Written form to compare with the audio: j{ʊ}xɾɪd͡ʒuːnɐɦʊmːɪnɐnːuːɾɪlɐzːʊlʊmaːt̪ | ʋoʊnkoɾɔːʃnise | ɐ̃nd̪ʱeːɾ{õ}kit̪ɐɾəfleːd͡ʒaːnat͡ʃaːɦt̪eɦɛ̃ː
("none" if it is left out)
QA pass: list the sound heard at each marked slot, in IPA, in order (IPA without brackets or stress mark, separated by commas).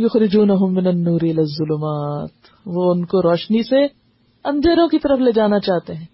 ʊ, õ